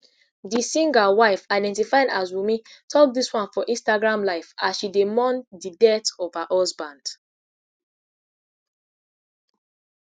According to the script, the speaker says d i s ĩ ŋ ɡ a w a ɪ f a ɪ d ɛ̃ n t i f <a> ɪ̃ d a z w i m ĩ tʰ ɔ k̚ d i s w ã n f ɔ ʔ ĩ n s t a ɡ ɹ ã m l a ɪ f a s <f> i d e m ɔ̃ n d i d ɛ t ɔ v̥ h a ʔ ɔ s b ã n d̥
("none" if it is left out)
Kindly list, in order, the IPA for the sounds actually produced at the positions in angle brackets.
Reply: a, ʃ

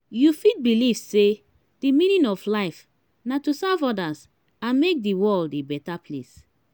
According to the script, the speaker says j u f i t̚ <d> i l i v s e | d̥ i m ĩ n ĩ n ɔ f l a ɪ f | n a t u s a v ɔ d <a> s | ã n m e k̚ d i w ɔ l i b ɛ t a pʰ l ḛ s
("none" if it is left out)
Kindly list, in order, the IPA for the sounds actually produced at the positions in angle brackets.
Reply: b, a

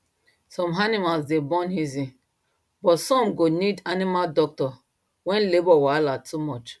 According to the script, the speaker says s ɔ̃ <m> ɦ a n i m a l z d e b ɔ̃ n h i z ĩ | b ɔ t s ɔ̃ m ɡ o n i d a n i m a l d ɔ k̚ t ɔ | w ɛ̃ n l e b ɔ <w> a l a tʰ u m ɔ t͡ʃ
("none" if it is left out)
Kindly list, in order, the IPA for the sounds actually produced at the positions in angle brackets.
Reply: m, w

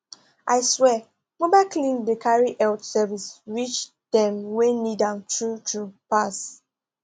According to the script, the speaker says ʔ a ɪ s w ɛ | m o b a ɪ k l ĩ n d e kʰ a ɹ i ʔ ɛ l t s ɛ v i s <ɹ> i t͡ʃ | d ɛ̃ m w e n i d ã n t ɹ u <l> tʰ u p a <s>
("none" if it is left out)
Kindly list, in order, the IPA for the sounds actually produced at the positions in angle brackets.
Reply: ɹ, none, s

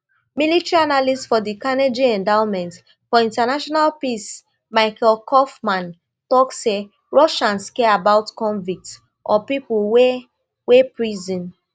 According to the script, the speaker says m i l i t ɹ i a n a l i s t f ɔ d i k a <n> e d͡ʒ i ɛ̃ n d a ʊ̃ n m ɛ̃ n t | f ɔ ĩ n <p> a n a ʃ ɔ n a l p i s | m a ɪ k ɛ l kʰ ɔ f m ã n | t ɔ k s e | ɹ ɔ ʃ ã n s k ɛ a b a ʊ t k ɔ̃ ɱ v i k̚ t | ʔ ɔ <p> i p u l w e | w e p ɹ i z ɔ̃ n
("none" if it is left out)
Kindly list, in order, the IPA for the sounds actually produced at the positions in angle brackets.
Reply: n, t, p

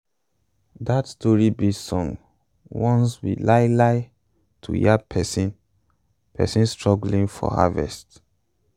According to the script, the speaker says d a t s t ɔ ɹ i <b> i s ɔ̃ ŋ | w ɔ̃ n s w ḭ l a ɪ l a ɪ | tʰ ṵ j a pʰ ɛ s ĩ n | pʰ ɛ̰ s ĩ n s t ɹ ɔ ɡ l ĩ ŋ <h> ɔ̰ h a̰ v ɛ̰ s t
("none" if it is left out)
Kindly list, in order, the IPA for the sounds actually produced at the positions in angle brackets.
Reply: b, f

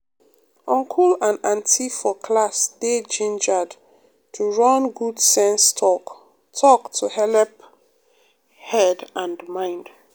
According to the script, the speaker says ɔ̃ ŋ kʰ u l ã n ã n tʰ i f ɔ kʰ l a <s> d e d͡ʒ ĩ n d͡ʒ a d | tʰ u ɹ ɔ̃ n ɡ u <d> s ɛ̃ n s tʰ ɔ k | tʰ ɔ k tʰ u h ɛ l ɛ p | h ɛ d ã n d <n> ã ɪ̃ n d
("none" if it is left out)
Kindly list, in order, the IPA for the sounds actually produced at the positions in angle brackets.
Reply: s, d, m

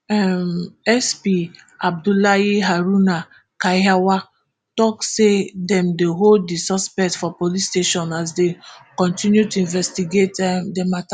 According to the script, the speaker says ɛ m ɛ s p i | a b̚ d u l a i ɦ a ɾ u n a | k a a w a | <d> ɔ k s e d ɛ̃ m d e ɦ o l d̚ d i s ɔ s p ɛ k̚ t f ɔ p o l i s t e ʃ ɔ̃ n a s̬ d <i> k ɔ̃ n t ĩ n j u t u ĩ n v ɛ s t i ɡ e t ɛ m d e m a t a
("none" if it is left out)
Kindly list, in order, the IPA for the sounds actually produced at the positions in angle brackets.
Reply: t, e

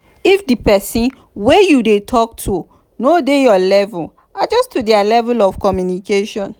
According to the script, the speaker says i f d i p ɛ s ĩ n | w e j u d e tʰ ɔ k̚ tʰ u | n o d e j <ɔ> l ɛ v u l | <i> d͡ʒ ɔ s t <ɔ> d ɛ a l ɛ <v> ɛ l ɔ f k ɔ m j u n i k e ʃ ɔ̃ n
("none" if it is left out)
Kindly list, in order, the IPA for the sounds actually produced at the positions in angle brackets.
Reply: ɔ, a, u, v

